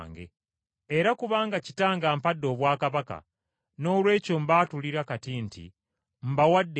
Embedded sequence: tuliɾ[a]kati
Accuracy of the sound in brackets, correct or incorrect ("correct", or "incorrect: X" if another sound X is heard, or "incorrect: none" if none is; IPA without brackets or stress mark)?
correct